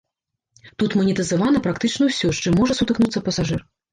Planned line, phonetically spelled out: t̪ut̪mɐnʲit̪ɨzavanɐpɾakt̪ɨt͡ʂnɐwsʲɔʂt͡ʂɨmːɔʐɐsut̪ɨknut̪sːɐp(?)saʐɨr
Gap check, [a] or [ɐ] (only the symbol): ɐ